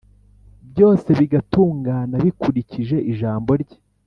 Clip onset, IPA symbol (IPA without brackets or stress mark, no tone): b